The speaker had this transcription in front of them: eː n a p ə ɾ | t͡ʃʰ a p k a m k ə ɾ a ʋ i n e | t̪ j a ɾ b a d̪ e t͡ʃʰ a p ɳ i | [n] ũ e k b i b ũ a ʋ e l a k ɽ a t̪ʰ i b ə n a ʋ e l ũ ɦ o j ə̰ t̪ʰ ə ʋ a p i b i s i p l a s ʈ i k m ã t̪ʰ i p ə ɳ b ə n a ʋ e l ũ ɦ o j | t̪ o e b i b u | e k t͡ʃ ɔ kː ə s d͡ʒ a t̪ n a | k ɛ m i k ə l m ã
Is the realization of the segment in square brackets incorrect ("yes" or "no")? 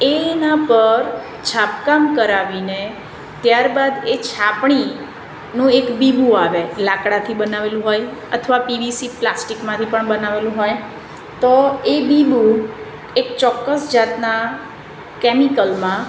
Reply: no